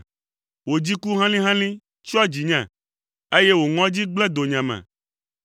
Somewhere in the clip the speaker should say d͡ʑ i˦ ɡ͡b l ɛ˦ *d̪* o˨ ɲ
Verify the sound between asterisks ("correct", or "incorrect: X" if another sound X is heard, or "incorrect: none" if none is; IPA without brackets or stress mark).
correct